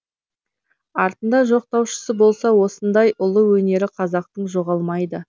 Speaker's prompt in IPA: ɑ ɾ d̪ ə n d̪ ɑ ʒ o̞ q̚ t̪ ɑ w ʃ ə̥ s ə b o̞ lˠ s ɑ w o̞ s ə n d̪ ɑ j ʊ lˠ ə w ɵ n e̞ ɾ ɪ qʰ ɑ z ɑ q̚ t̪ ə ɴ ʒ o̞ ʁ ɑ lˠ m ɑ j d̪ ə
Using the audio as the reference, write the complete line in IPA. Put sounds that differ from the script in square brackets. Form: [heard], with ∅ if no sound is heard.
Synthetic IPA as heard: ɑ ɾ [t̪] ə n d̪ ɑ ʒ o̞ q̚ t̪ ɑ w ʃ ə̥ s ə b o̞ lˠ s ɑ w o̞ s ə n d̪ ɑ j ʊ lˠ ə w ɵ n e̞ ɾ ɪ qʰ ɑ z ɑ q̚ t̪ ə ɴ ʒ o̞ ʁ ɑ lˠ m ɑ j d̪ ə